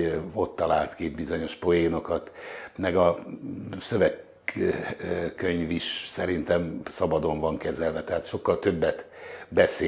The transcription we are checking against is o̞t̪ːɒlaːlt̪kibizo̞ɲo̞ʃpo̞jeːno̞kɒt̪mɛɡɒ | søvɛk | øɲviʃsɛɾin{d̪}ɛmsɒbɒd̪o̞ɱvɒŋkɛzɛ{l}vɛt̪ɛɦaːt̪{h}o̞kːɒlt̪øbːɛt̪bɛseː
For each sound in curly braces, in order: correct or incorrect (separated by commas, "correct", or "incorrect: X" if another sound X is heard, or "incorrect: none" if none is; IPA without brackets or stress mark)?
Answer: incorrect: t̪, correct, incorrect: ʃ